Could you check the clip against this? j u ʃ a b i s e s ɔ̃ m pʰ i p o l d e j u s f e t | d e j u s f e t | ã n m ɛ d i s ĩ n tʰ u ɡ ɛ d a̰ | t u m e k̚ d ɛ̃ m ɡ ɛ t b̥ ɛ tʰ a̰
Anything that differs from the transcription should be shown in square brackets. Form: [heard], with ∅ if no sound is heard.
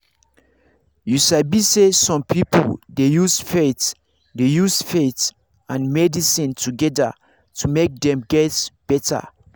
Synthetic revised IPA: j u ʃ a b i s e s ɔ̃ m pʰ i p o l d e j u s f e t | d e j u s f e t | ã n m ɛ d i s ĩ n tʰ u ɡ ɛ d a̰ | t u m e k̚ d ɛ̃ m ɡ ɛ t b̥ ɛ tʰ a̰

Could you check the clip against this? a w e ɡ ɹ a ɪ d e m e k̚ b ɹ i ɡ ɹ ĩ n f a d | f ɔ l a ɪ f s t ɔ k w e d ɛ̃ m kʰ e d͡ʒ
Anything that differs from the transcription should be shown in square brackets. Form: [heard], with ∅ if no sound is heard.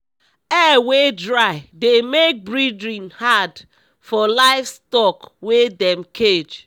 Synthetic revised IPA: [ɛ] w e [d] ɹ a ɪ d e m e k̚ b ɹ i [d] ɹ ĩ n [h] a d | f ɔ l a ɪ f s t ɔ k w e d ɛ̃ m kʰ e d͡ʒ

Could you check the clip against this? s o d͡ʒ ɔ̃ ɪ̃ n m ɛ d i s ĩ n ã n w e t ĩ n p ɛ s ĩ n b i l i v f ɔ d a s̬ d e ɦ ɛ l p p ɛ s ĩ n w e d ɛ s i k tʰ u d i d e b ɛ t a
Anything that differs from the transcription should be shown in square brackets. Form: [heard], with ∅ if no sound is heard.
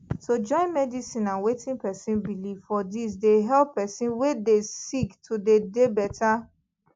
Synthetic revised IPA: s o d͡ʒ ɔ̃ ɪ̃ n m ɛ d i s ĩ n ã n w e t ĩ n p ɛ s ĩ n b i l i v f ɔ d [i] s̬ d e ɦ ɛ l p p ɛ s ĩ n w e d [e] s i k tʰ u d [e] d e b ɛ t a

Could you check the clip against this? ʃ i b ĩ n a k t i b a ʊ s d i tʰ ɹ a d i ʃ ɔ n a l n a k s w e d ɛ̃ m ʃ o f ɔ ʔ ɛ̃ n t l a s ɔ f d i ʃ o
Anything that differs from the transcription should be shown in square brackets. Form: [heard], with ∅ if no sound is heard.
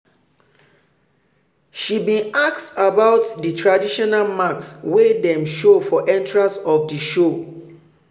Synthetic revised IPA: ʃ i b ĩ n a k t [a] b a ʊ [t] d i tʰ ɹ a d i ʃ ɔ n a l [m] a k s w e d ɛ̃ m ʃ o f ɔ ʔ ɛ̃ n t [ɹ] a s ɔ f d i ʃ o

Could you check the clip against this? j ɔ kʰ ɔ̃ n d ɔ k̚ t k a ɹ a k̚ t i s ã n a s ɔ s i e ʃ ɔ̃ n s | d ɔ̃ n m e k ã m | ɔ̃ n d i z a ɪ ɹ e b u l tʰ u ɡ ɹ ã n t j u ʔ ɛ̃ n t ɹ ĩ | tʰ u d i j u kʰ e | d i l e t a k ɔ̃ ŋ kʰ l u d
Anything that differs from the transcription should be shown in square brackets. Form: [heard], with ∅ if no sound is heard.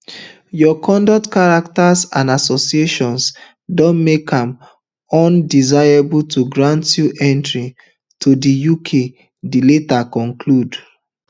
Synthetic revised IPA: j ɔ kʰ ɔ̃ n d ɔ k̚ t k a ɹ a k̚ t [a] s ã n a s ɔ s i e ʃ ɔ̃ n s | d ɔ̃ n m e k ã m | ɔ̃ n d i z a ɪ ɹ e b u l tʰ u ɡ ɹ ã n t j u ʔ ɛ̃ n t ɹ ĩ | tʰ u d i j u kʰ e | d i l e t a k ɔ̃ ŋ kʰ l u d

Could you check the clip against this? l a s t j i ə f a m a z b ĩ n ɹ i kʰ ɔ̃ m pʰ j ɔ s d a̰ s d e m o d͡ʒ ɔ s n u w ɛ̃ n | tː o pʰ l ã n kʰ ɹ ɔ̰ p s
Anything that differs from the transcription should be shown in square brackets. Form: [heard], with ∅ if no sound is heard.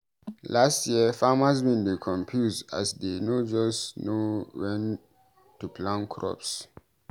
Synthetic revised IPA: l a s t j i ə f a m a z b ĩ n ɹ i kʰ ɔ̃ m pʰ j [u] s d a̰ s d e [n] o d͡ʒ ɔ s n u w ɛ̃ n | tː [u] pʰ l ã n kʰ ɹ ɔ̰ p s

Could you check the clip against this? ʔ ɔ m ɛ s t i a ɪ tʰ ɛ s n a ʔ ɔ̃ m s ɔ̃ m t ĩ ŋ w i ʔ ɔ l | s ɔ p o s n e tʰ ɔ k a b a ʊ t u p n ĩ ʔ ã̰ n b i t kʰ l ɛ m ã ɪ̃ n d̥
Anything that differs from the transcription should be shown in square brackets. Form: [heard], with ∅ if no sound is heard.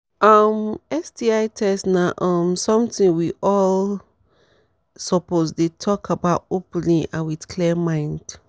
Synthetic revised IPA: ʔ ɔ m ɛ s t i a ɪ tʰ ɛ s n a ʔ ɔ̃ m s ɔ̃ m t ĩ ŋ w i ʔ ɔ l | s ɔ p o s [d] e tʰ ɔ k a b a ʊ t [o] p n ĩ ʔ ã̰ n [w] i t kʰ l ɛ m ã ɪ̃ n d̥

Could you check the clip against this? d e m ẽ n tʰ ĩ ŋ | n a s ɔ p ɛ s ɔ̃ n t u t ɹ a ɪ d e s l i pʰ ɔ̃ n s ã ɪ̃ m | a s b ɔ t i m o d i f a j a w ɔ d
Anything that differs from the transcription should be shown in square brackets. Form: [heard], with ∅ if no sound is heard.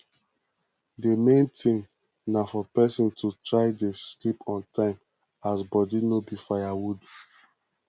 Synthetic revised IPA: d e m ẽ n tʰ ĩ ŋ | n a [f] ɔ p ɛ s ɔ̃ n t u t ɹ a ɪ d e s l i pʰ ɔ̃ n [t] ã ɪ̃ m | a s b ɔ [d] i [n] o [b] i f a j a w [u] d

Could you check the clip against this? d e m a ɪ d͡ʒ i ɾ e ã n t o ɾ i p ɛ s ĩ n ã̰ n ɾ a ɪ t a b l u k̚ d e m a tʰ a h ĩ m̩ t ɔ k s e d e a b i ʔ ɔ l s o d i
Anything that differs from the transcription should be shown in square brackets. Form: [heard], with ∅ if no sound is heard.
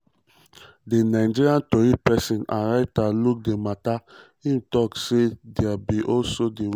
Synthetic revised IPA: d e [n] a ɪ d͡ʒ i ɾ [i] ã n t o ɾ i p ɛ s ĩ n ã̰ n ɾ a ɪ t a [∅] l u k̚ d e m a [t] a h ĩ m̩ t ɔ k s e d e a b i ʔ ɔ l s o d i

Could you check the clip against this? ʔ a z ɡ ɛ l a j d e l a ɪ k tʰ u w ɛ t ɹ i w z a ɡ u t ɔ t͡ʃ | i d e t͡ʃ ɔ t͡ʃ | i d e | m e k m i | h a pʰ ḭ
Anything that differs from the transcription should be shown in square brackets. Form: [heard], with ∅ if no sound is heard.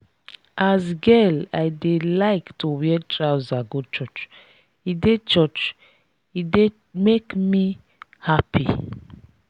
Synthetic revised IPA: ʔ a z ɡ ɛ l a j d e l a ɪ k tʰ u w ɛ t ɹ [a] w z a ɡ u [t͡ʃ] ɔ t͡ʃ | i d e t͡ʃ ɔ t͡ʃ | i d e | m e k m i | h a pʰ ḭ

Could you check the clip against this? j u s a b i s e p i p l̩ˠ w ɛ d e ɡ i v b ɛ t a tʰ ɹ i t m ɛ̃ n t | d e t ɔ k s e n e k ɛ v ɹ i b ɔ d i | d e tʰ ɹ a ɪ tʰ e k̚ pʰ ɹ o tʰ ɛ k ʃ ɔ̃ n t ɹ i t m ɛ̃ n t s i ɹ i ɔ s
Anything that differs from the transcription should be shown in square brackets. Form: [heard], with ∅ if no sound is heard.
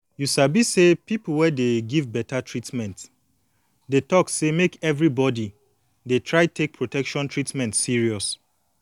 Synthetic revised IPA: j u s a b i s e p i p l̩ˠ w ɛ d e ɡ i v b ɛ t a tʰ ɹ i t m ɛ̃ n t | d e t ɔ k s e [m] e k ɛ v ɹ i b ɔ d i | d e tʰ ɹ a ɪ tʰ e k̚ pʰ ɹ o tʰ ɛ k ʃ ɔ̃ n t ɹ i t m ɛ̃ n t s i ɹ i ɔ s

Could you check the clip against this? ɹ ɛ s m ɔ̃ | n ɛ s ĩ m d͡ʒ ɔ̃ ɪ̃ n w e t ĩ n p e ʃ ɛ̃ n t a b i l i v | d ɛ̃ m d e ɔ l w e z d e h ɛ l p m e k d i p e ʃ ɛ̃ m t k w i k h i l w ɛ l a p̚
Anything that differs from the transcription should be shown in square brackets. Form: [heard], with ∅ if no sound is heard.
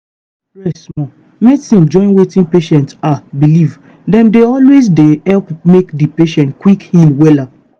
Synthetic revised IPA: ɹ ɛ s m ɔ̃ | [m] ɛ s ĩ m d͡ʒ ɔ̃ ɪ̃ n w e t ĩ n p e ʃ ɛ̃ n t a b i l i v | d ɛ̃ m d e ɔ l w e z d e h ɛ l p m e k d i p e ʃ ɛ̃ [n] t k w i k h i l w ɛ l a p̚

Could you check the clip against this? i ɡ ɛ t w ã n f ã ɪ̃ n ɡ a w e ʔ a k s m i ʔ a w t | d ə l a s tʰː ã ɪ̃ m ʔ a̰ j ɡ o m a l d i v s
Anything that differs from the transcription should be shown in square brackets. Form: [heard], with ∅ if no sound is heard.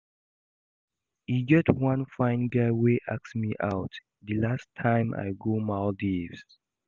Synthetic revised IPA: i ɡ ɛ t w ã n f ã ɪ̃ n ɡ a w e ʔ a k s m i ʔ a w t | d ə l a s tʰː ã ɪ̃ m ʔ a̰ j ɡ o m a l d i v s

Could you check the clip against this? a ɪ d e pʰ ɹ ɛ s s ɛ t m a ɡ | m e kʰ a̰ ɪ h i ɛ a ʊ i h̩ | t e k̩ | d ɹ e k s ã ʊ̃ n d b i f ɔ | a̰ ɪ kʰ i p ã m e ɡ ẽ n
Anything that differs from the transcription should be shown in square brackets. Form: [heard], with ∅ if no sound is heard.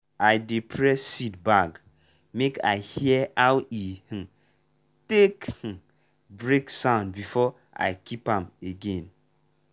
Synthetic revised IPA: a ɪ d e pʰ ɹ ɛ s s [i] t [b] a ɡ | m e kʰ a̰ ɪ h i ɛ a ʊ i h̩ | t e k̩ | [b] ɹ e k s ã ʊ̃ n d b i f ɔ | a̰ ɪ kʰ i p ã m e ɡ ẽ n

